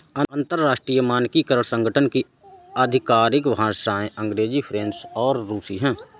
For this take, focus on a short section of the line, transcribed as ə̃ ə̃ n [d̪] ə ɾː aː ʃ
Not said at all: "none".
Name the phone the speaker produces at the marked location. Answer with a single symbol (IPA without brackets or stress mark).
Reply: t̪